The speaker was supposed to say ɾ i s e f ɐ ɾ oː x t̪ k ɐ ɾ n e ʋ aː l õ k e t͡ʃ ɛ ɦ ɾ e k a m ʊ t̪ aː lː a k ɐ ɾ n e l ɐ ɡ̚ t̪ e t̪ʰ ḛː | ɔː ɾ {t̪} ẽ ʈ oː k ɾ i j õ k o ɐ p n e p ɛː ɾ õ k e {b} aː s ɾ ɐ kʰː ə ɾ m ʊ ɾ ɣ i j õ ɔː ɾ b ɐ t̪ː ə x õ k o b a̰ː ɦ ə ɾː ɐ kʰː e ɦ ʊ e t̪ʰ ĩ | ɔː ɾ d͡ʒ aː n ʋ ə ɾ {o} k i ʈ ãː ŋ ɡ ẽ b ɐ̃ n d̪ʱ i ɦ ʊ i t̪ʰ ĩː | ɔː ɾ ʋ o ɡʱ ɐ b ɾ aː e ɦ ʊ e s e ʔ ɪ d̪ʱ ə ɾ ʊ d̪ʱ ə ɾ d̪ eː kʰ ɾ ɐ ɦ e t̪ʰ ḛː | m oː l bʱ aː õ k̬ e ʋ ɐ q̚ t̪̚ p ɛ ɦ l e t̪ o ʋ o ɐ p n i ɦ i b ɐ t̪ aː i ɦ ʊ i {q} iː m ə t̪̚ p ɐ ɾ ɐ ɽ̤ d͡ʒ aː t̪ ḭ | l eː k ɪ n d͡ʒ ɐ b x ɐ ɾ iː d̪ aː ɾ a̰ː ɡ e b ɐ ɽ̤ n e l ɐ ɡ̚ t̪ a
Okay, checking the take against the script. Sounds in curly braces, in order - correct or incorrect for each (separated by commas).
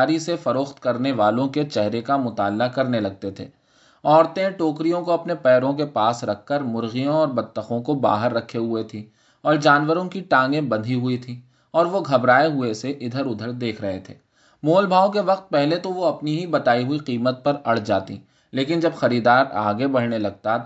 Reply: correct, incorrect, incorrect, correct